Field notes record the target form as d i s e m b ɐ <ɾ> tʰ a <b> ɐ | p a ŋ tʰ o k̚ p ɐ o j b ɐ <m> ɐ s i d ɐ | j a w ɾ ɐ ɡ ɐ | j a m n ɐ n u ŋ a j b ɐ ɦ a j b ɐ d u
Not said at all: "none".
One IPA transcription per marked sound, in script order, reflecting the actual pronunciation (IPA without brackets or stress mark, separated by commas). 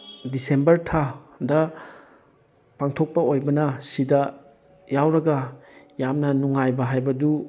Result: ɾ, d, n